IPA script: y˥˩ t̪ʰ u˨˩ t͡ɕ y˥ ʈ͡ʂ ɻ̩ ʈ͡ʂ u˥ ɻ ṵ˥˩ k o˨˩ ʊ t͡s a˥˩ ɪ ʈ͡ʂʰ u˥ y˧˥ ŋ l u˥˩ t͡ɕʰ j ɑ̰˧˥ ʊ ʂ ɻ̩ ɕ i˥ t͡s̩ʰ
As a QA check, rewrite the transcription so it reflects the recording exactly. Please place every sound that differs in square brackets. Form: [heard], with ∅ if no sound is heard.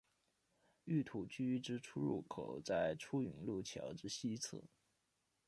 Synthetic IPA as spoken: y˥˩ t̪ʰ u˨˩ t͡ɕ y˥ ʈ͡ʂ ɻ̩ [ʈ͡ʂʰ] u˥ ɻ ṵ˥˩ [kʰ] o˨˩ ʊ t͡s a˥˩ ɪ ʈ͡ʂʰ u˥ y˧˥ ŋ l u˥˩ t͡ɕʰ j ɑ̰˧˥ ʊ [ʈ͡ʂ] ɻ̩ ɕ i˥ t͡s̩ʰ